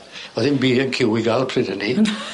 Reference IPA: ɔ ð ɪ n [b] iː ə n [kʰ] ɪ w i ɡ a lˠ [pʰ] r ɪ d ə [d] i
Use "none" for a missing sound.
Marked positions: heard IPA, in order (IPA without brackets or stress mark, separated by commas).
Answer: b, kʰ, pʰ, n